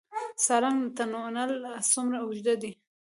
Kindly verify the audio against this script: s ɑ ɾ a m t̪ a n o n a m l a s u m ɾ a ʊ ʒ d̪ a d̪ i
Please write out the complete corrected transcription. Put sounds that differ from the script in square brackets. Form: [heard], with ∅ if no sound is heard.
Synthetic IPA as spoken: s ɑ ɾ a [ŋ] t̪ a n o n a [∅] l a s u m ɾ a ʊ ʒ d̪ a d̪ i